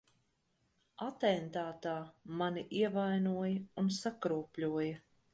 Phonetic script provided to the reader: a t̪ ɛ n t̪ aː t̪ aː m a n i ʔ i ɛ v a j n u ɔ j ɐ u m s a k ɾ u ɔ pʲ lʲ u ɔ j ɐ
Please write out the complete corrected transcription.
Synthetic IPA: a t̪ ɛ n t̪ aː t̪ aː m a n i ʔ i ɛ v a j n u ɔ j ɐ u n s a k ɾ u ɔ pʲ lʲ u ɔ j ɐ